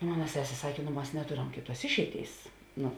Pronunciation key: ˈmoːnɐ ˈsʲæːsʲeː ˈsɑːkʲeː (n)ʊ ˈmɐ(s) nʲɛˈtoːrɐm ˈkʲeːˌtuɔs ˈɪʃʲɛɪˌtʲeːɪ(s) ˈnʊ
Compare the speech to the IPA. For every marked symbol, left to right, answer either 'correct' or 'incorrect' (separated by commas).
correct, correct, correct